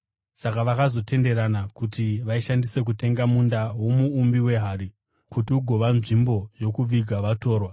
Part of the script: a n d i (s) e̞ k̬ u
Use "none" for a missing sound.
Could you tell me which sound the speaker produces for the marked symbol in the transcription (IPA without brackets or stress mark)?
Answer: s